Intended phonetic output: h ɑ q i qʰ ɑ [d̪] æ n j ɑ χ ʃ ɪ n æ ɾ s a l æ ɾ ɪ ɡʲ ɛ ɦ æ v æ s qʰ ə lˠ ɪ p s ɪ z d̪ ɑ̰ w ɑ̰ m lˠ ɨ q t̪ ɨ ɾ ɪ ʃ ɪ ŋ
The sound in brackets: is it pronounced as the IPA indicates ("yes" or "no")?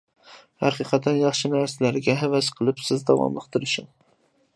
no